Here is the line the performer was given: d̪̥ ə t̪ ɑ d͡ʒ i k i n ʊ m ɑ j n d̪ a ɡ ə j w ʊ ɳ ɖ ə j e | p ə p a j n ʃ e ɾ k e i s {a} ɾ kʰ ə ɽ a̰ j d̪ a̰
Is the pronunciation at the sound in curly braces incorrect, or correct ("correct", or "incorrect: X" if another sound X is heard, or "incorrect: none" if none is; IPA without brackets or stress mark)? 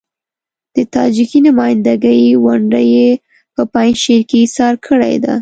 incorrect: ɑ